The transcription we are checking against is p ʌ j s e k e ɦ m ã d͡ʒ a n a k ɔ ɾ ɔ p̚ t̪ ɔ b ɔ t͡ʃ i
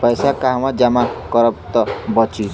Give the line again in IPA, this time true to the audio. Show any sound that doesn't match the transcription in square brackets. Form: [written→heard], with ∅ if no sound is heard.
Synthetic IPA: p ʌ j s [e→a] k [e→a] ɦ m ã d͡ʒ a [n→m] a k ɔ ɾ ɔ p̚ t̪ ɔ b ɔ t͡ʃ i